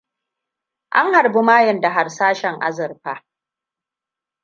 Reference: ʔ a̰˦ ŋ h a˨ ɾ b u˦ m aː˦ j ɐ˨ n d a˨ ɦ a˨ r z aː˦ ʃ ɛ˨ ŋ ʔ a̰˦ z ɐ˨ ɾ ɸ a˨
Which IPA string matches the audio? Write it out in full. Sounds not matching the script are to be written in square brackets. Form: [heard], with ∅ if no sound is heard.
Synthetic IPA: ʔ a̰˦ ŋ h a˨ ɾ b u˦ m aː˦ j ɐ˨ n d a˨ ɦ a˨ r [s] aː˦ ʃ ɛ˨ ŋ ʔ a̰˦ z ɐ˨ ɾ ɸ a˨